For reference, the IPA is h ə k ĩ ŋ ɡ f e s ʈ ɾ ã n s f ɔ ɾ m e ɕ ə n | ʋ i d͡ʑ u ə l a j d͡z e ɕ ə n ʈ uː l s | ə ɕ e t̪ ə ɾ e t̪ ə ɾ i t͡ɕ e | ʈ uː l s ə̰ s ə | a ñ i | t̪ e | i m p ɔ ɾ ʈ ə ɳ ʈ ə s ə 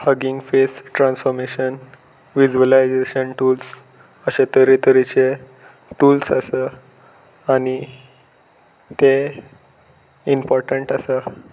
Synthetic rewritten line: h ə ɡ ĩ ŋ ɡ f e s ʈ ɾ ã n s f ɔ ɾ m e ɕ ə n | ʋ i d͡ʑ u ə l a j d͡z e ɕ ə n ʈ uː l s | ə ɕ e t̪ ə ɾ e t̪ ə ɾ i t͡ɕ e | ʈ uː l s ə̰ s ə | a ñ i | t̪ e | i m p ɔ ɾ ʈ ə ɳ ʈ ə s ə